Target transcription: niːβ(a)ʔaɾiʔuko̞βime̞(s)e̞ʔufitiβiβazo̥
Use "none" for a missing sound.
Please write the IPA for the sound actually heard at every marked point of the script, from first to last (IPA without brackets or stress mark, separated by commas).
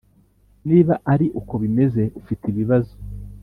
a, z